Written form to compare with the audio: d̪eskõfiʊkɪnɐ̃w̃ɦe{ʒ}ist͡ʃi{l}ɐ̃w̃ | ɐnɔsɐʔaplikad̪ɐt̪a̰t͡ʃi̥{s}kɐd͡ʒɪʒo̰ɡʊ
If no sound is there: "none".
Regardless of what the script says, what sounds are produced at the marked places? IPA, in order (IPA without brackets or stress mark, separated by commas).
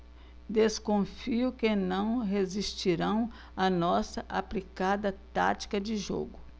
z, ɾ, none